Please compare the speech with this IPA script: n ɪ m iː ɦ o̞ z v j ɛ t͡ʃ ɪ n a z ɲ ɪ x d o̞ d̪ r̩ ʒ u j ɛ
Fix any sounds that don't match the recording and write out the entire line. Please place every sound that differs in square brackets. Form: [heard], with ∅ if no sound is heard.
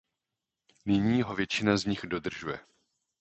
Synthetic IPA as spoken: n ɪ [ɲ] iː ɦ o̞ [∅] v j ɛ t͡ʃ ɪ n a z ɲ ɪ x d o̞ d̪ r̩ ʒ u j ɛ